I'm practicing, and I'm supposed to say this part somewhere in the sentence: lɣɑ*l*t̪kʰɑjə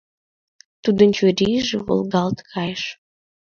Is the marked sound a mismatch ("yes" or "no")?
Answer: no